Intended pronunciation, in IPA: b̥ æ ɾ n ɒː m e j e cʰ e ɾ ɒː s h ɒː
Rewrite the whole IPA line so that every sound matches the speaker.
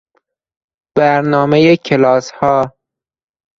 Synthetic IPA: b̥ æ ɾ n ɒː m e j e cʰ e l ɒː s h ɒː